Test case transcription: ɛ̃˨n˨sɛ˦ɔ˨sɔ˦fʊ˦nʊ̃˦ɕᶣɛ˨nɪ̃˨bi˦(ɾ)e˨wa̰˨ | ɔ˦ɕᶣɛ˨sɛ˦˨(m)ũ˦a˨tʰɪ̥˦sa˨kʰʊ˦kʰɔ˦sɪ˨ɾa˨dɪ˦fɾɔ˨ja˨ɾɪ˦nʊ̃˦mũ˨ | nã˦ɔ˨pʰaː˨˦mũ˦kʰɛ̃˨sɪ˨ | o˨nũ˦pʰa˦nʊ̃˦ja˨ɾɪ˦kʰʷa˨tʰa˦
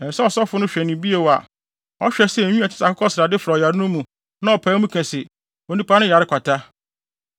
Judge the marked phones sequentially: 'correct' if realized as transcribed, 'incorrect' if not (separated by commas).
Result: incorrect, incorrect